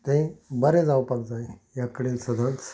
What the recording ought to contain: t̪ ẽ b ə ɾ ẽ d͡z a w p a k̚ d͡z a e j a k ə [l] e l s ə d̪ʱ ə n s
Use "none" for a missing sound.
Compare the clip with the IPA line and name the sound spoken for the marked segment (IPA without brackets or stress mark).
ɽ